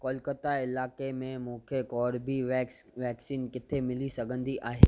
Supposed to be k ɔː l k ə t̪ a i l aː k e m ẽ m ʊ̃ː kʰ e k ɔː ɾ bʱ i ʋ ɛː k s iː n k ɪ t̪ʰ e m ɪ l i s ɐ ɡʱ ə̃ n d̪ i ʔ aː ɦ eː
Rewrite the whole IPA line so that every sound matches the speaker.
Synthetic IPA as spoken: k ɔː l k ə t̪ a ɪ l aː k e m ẽ m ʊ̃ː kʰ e k ɔː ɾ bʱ i ʋ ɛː k s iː n k ɪ t̪ʰ e m ɪ l i s ɐ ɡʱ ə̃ n d̪ i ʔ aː ɦ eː